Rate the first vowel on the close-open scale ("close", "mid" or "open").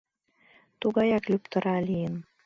close